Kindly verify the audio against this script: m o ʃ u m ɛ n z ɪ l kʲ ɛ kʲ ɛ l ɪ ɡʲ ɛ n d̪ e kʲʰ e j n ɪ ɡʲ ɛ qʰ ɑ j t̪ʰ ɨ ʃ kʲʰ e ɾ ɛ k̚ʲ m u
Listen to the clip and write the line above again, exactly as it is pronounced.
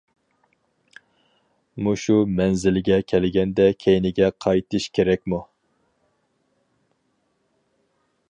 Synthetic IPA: m u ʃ u m ɛ n z ɪ l ɡʲ ɛ kʲʰ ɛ l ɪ ɡʲ ɛ n d̪ ɛ kʲʰ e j n ɪ ɡʲ ɛ qʰ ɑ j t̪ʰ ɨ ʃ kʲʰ e ɾ ɛ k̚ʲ m u